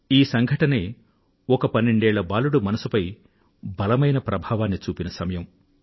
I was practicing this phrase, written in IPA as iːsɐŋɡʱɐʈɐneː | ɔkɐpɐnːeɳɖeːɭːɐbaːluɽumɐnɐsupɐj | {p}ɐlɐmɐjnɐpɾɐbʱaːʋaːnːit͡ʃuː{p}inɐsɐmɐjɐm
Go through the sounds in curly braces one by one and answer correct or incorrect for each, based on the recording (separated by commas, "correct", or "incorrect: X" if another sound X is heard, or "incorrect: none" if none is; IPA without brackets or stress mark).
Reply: incorrect: b, correct